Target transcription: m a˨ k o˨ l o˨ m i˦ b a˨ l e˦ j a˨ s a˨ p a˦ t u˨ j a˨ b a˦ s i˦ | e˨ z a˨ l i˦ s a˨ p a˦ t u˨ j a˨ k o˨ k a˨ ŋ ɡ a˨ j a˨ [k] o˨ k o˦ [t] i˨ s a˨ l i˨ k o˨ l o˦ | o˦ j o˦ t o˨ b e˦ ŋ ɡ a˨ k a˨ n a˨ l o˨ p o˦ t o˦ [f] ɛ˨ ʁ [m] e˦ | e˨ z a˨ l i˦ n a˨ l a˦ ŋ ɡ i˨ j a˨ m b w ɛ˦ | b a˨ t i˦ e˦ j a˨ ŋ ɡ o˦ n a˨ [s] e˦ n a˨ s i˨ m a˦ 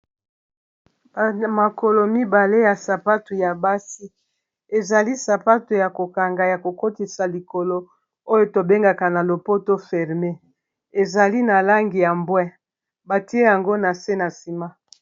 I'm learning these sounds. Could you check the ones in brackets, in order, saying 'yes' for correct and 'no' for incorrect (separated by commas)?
yes, yes, yes, yes, yes